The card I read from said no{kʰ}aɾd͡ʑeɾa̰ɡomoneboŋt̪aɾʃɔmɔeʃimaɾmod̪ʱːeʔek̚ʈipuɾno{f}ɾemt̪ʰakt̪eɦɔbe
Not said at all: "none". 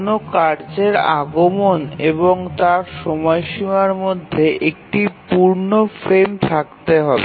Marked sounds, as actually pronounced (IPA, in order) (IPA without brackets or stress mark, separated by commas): k, f